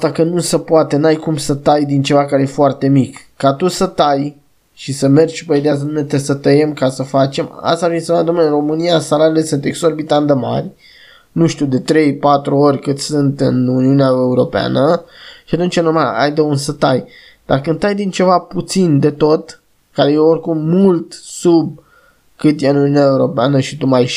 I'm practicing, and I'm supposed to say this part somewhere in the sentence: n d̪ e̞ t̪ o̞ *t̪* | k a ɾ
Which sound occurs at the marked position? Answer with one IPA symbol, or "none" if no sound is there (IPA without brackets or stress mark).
t̪